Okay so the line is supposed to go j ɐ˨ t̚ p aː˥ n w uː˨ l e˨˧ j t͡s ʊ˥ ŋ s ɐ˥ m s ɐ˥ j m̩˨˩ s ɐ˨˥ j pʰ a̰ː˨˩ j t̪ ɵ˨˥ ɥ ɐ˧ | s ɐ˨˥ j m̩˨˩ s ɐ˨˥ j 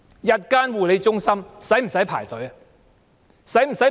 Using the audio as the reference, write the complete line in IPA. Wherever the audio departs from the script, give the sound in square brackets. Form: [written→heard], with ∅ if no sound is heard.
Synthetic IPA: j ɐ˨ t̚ [p→k] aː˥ n w uː˨ l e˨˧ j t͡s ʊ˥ ŋ s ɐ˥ m s [ɐ˥→ɐ˨˥] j m̩˨˩ s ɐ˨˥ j pʰ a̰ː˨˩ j t̪ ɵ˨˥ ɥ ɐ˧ | s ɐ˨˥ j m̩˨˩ s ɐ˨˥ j